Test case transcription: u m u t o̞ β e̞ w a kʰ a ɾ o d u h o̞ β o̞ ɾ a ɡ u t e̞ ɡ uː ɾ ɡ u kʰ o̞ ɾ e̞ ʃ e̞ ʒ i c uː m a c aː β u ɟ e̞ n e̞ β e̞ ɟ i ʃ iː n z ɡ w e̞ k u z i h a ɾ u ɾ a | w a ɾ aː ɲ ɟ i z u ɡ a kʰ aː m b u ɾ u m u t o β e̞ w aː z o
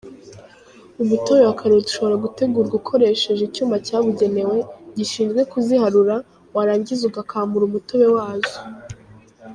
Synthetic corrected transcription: u m u t o̞ β e̞ w a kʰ a ɾ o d u ʃ o̞ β o̞ ɾ a ɡ u t e̞ ɡ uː ɾ ɡ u kʰ o̞ ɾ e̞ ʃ e̞ ʒ i c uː m a c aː β u ɟ e̞ n e̞ w e̞ ɟ i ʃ iː n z ɡ w e̞ k u z i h a ɾ u ɾ a | w a ɾ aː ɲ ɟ i z u ɡ a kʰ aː m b u ɾ u m u t o β e̞ w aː z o

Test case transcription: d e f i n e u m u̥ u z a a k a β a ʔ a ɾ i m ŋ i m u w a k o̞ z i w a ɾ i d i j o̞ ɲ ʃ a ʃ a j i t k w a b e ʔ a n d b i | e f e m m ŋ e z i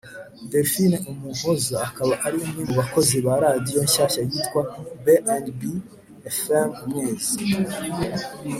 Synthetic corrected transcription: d e f i n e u m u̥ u z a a k a β a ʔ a ɾ i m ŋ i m u β a k o̞ z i β a ɾ a d i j o̞ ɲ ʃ a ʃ a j i t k w a b e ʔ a n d b i | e f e m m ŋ e z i

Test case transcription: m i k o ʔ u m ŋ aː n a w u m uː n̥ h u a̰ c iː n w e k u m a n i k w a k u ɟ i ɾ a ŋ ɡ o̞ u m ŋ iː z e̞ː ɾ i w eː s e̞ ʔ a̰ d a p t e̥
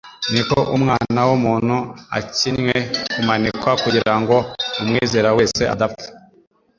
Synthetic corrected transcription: n i k o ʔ u m ŋ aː n a w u m uː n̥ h u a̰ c i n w e k u m a n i k w a k u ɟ i ɾ a ŋ ɡ o̞ u m ŋ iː z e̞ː ɾ a w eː s e̞ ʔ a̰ d a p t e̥

